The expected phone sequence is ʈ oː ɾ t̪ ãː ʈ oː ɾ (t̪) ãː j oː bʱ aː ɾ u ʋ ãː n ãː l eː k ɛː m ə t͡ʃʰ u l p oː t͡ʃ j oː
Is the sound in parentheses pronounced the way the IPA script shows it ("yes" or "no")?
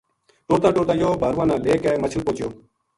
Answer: yes